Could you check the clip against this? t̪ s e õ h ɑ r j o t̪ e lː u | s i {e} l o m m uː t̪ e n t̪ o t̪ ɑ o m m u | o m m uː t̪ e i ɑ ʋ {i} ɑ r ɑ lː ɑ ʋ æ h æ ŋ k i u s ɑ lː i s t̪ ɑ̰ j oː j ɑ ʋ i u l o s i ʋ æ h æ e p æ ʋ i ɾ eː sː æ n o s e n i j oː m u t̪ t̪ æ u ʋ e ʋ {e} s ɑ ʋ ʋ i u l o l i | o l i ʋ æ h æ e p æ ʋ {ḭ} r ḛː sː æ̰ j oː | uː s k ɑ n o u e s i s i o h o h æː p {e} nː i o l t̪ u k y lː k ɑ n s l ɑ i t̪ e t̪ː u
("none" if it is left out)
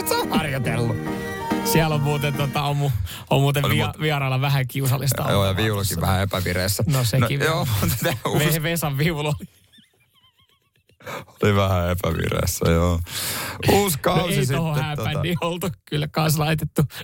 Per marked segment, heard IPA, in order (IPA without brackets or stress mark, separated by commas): æ, i, e, ḭ, æ